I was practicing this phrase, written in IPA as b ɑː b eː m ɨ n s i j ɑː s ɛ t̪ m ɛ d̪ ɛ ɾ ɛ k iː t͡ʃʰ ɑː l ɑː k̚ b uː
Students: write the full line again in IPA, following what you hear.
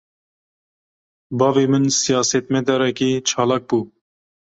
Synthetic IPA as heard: b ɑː v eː m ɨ n s i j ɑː s ɛ t̪ m ɛ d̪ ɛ ɾ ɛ k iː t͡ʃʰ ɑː l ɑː k̚ b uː